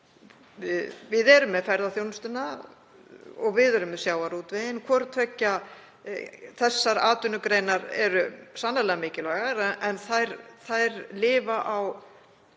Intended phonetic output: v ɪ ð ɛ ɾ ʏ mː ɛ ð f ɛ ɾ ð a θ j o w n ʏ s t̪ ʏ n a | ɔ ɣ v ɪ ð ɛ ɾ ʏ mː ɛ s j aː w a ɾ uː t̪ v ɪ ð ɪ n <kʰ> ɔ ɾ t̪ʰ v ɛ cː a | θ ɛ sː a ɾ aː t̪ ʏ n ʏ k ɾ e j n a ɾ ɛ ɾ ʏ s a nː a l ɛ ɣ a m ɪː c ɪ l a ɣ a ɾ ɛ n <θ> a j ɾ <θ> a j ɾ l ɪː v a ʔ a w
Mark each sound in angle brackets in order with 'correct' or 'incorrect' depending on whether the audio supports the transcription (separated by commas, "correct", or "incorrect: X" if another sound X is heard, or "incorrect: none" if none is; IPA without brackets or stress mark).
correct, correct, correct